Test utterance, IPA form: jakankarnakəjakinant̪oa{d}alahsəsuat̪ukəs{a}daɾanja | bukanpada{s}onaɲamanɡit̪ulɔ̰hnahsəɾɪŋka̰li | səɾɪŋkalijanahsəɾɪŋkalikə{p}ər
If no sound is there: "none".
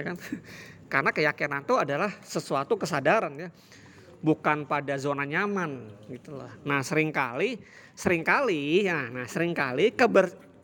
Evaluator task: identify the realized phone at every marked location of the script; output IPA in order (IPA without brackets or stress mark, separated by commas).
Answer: d, a, z, b